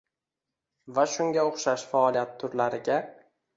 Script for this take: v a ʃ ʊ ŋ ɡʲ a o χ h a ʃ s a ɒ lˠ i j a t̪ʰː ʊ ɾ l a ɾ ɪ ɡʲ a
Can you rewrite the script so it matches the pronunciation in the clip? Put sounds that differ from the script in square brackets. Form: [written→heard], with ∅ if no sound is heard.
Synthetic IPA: v a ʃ ʊ ŋ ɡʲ a o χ [h→ʃ] a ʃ [s→f] a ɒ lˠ i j a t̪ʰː ʊ ɾ l a ɾ ɪ ɡʲ a

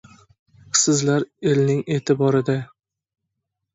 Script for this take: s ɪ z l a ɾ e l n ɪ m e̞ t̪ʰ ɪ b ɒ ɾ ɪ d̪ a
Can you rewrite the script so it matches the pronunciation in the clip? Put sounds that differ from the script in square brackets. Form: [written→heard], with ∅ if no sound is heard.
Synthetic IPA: s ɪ z l a ɾ e l n ɪ [m→ŋ] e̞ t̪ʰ ɪ b ɒ ɾ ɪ d̪ a

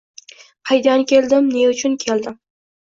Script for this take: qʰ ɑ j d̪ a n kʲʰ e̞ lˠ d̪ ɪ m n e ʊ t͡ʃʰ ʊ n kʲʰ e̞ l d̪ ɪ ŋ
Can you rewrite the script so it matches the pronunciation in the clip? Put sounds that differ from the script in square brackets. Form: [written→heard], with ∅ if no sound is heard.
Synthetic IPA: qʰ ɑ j d̪ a n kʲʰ e̞ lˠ d̪ ɪ m n e ʊ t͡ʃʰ ʊ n kʲʰ e̞ l d̪ ɪ [ŋ→m]

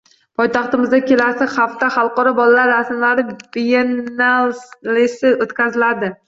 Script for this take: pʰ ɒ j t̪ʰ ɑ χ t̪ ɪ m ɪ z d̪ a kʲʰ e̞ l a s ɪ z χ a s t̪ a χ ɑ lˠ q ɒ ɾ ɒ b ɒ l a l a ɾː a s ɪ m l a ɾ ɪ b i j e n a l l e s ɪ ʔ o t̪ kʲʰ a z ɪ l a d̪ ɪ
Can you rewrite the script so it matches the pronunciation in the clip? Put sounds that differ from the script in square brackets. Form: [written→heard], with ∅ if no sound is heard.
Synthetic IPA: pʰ ɒ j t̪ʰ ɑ χ t̪ ɪ m ɪ z d̪ a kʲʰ e̞ l a s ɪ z χ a [s→f] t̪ a χ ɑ lˠ q ɒ ɾ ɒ b ɒ l a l a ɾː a s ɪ m l a ɾ ɪ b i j e n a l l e s ɪ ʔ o t̪ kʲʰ a z ɪ l a d̪ ɪ

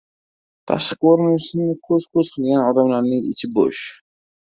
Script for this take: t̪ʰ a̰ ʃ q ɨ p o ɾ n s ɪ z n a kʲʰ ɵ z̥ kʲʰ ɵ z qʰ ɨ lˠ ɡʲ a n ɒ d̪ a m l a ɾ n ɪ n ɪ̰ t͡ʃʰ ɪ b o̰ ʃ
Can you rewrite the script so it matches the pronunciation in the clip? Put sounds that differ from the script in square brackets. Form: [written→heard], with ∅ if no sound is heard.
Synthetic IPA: t̪ʰ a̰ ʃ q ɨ [p→q] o ɾ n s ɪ [z→∅] n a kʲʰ ɵ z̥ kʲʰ ɵ z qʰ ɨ lˠ ɡʲ a n ɒ d̪ a m l a ɾ n ɪ [n→ŋ] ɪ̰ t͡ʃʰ ɪ b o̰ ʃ

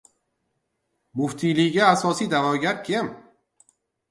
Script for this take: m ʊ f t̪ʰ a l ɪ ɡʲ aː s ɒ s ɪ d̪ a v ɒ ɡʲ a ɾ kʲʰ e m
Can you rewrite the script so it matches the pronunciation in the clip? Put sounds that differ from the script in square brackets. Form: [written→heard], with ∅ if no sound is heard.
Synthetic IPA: m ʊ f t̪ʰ [a→i] l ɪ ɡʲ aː s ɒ s [ɪ→i] d̪ a v ɒ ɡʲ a ɾ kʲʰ e m

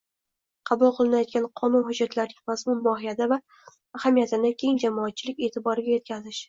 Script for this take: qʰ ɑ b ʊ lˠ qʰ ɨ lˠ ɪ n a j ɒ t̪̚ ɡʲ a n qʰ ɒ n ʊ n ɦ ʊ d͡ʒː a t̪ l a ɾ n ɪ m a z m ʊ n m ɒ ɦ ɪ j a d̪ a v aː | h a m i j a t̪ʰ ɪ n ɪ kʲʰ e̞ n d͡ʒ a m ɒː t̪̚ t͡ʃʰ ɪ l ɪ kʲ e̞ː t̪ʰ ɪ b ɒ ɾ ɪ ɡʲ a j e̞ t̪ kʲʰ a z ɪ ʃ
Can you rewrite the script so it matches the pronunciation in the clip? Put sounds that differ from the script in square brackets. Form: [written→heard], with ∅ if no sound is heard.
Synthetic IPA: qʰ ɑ b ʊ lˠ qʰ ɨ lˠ ɪ n a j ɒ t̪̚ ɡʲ a n qʰ ɒ n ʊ n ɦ ʊ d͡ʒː a t̪ l a ɾ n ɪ m a z m ʊ n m ɒ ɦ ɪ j a d̪ a v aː | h a m i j a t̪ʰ ɪ n ɪ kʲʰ e̞ [n→ŋ] d͡ʒ a m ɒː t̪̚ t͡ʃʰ ɪ l ɪ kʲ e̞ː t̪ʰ ɪ b ɒ ɾ ɪ ɡʲ a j e̞ t̪ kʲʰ a z ɪ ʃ

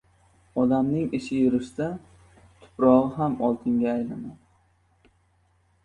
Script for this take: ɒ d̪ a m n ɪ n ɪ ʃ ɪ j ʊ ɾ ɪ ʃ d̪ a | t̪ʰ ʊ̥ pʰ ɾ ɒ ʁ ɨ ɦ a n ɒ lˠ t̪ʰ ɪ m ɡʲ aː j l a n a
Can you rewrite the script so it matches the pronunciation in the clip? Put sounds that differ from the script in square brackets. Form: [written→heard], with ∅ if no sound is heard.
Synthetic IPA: ɒ d̪ a m n ɪ [n→ŋ] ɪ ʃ ɪ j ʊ ɾ ɪ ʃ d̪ a | t̪ʰ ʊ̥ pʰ ɾ ɒ ʁ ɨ ɦ a [n→m] ɒ lˠ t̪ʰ ɪ [m→ŋ] ɡʲ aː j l a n a

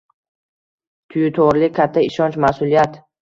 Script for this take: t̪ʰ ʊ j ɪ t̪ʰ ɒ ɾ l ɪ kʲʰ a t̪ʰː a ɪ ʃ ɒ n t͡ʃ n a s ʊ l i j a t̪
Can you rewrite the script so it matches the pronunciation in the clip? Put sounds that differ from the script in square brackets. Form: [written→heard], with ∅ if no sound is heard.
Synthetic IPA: t̪ʰ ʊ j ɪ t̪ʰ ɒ ɾ l ɪ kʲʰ a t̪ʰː a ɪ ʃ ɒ n t͡ʃ [n→m] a s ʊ l i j a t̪

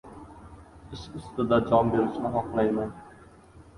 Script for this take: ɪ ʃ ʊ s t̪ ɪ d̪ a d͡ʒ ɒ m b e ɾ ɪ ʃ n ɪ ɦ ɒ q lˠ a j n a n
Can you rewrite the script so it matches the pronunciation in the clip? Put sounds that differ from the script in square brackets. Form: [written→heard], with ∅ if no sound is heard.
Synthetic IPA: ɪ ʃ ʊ s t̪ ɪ d̪ a d͡ʒ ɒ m b e ɾ ɪ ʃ n ɪ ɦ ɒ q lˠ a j [n→m] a n

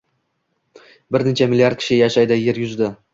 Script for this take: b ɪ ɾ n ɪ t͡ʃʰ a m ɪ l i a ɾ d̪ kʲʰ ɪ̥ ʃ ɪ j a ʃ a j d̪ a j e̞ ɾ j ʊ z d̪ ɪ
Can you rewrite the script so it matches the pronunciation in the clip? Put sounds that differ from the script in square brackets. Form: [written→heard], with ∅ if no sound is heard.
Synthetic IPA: b ɪ ɾ n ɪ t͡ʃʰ a m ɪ l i a ɾ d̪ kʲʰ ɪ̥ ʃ ɪ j a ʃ a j d̪ a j e̞ ɾ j ʊ z d̪ ɪ

